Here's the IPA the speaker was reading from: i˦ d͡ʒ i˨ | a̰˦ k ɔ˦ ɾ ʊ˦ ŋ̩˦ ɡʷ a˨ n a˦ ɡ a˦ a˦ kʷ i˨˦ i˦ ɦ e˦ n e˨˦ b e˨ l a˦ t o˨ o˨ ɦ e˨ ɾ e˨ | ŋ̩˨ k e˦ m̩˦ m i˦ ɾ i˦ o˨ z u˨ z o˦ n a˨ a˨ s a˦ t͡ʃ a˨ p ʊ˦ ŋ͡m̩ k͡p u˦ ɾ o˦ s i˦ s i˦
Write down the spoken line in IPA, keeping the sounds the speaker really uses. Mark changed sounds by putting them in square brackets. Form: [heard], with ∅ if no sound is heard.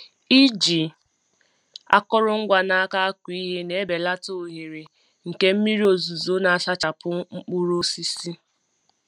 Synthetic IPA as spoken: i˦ d͡ʒ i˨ | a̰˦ k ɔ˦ ɾ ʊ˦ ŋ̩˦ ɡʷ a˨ n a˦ [k] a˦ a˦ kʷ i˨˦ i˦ ɦ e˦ n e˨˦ b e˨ l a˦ t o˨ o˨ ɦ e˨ ɾ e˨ | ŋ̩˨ k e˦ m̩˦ m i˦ ɾ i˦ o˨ z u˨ z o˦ n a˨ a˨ s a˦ t͡ʃ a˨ p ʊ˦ ŋ͡m̩ k͡p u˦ ɾ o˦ s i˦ s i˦